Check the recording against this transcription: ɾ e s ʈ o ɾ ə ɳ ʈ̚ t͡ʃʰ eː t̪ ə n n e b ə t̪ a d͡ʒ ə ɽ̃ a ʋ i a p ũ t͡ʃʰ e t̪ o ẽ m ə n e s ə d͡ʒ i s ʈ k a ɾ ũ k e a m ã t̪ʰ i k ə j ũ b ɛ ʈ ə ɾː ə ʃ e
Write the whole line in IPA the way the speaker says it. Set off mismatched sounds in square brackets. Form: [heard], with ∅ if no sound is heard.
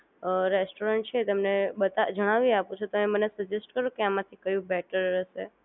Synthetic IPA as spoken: ɾ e s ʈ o ɾ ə ɳ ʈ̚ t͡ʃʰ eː t̪ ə [m] n e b ə t̪ a d͡ʒ ə ɽ̃ a ʋ i a p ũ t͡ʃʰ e t̪ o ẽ m ə n e s ə d͡ʒ [e] s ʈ k [ə] ɾ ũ k e a m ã t̪ʰ i k ə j ũ b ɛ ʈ ə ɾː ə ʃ e